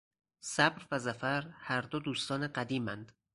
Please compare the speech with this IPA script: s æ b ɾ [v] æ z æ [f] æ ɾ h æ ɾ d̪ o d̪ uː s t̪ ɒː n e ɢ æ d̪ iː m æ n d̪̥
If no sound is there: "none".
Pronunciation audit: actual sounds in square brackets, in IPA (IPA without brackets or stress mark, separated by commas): v, f